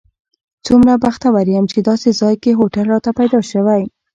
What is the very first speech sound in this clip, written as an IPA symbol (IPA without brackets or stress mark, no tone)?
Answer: t͡s